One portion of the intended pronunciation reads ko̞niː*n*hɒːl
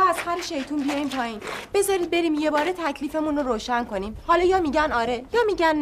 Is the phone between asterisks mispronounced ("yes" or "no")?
yes